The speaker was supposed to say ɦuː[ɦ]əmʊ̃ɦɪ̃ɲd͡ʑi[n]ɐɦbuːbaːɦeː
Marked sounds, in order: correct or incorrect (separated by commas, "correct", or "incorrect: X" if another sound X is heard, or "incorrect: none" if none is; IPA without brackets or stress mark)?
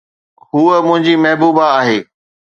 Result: incorrect: none, incorrect: m